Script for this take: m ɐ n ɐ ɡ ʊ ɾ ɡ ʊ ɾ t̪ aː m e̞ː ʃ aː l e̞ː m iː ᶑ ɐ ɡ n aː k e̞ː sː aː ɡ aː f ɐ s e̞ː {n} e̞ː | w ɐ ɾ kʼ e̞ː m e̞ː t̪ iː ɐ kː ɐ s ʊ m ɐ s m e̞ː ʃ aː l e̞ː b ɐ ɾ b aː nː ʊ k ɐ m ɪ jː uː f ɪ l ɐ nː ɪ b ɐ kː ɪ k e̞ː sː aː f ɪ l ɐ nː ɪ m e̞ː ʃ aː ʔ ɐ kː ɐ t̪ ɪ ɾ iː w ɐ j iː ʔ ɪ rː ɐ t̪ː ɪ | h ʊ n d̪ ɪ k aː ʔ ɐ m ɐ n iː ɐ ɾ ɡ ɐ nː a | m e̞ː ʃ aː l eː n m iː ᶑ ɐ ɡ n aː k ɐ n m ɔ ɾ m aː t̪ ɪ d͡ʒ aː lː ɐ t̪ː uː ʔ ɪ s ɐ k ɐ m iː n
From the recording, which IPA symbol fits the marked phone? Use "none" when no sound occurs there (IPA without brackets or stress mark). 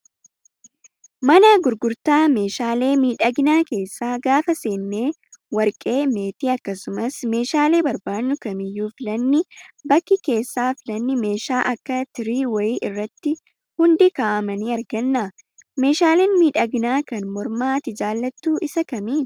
nː